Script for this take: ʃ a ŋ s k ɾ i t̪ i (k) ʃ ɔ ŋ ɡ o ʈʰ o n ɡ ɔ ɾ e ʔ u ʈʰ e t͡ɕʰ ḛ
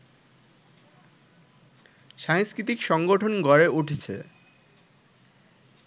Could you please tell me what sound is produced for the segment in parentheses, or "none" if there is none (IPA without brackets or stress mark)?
k